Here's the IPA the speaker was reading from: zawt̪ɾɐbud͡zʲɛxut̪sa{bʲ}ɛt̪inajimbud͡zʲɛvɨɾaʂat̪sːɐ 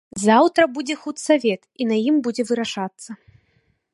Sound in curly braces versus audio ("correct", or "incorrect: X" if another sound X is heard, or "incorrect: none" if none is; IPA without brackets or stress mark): incorrect: vʲ